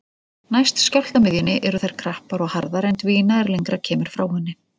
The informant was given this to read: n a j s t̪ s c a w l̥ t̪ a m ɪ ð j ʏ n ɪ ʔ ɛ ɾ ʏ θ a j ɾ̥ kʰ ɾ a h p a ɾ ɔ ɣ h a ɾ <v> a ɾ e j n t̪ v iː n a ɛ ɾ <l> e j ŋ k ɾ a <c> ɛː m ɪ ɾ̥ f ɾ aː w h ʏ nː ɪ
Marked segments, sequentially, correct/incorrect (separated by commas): incorrect, correct, incorrect